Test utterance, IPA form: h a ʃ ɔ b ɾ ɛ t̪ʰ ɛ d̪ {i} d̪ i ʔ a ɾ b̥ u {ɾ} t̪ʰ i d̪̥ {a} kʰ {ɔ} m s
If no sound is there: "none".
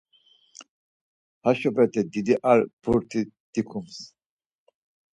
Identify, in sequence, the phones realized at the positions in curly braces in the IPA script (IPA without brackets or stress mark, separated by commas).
i, ɾ, i, u